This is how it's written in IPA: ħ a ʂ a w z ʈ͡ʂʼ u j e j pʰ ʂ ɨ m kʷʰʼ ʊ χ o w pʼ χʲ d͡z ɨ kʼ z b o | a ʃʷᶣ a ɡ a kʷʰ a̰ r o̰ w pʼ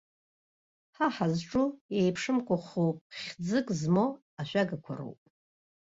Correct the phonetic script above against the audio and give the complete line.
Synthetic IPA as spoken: ħ a ħ a z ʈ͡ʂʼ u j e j pʰ ʂ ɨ m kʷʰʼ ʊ χ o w pʼ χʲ d͡z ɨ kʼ z m o | a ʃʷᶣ a ɡ a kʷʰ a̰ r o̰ w pʼ